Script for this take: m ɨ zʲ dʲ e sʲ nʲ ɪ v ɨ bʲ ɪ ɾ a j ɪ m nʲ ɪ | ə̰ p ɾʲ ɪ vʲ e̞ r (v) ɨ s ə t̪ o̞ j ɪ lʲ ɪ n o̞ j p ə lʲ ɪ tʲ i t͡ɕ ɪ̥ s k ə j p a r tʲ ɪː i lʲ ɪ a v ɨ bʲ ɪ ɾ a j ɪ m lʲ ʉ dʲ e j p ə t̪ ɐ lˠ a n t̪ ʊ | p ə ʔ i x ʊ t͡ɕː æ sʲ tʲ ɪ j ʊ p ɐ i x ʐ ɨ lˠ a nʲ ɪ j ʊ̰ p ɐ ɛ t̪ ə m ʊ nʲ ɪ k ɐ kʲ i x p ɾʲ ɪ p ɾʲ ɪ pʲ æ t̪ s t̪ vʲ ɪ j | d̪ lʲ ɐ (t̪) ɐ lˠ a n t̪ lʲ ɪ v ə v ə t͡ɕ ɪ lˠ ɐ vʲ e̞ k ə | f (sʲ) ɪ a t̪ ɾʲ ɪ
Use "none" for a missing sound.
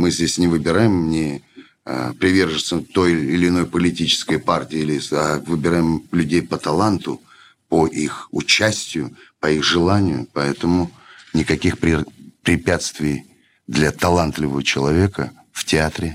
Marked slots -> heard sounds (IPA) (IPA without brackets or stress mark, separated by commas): ʐ, t̪, tʲ